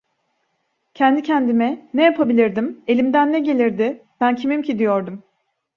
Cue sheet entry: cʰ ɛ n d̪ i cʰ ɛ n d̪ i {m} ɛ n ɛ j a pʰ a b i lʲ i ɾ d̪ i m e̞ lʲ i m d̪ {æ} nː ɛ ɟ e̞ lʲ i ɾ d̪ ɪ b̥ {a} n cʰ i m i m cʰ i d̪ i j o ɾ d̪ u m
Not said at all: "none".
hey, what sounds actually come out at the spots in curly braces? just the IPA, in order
m, æ, æ

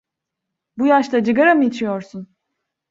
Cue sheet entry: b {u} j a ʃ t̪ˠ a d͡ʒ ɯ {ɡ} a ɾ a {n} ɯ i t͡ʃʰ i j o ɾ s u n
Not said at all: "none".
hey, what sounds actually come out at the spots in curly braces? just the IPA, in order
u, ɡ, m

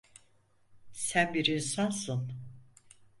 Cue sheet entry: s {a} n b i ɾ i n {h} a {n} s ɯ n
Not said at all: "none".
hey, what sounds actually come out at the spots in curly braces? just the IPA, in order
æ, s, n

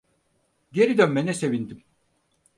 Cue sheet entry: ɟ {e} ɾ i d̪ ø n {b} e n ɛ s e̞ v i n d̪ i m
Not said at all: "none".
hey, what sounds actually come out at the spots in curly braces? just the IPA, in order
e, m

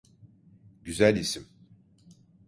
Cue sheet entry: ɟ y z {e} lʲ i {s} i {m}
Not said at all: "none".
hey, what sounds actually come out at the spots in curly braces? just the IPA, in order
æ, s, m

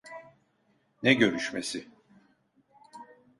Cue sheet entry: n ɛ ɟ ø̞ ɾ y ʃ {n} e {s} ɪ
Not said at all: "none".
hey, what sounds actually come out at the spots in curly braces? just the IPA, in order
m, s

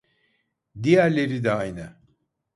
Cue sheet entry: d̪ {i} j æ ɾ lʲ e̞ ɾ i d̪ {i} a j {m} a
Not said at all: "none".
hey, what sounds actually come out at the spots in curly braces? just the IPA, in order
i, ɛ, n

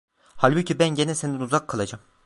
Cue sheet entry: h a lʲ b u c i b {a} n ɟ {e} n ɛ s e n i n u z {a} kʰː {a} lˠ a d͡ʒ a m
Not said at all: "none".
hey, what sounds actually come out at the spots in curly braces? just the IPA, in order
æ, e, a, a

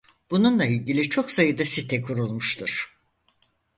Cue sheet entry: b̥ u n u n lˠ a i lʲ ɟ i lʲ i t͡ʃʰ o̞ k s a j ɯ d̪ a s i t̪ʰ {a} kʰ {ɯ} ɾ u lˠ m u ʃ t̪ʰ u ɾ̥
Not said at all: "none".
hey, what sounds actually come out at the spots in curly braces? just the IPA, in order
ɛ, u

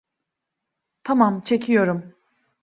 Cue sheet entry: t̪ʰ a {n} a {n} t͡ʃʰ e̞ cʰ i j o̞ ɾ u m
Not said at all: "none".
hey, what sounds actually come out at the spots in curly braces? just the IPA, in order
m, m

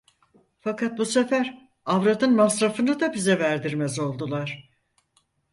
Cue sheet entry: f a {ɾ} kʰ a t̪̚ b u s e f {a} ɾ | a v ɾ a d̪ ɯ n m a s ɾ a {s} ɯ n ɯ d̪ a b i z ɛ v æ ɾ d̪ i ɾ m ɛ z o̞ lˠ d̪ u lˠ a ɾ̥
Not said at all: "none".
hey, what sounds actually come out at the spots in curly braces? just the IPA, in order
none, æ, f

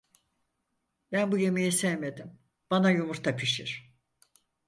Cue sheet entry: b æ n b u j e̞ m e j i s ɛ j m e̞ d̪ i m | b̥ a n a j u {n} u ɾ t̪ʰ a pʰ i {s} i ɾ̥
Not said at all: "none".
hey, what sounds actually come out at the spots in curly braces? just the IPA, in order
m, ʃ

